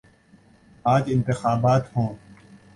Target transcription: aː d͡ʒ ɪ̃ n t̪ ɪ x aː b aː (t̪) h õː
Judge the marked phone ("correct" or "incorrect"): correct